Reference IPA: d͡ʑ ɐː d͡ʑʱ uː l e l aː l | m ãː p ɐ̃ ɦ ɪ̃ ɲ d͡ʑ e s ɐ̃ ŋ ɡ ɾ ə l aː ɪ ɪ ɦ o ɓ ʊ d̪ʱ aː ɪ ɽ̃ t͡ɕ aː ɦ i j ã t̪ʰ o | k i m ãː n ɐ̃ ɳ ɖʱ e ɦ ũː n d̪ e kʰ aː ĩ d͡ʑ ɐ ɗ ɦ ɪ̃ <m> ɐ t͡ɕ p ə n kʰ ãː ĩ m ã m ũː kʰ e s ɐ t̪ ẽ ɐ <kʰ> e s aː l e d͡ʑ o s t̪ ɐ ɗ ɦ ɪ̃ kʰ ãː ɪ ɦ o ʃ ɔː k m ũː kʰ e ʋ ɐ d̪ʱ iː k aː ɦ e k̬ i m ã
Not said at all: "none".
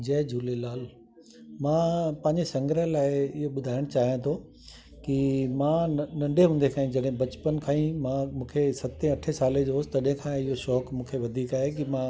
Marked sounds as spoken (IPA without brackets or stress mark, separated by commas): b, ʈʰ